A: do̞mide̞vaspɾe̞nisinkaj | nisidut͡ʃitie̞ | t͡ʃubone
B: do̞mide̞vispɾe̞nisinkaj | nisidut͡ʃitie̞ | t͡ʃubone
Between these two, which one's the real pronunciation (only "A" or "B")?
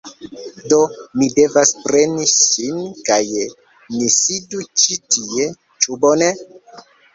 A